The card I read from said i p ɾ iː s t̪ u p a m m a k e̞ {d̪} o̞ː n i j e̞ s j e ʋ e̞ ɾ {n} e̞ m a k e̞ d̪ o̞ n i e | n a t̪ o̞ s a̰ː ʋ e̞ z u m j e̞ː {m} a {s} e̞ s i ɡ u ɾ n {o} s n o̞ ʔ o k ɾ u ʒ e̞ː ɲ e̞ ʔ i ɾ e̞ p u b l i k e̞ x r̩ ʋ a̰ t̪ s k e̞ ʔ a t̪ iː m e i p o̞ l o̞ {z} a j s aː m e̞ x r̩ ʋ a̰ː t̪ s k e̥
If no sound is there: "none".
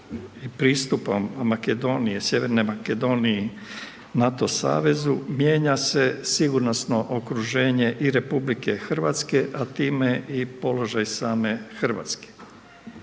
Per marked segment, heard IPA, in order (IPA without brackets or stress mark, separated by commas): d̪, n, ɲ, s, o, ʒ